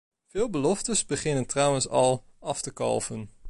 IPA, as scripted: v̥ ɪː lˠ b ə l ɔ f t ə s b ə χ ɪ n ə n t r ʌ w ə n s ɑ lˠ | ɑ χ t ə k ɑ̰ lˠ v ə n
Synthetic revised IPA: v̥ ɪː lˠ b ə l ɔ f t ə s b ə χ ɪ n ə n t r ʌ w ə n s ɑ lˠ | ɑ f t ə k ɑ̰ lˠ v ə n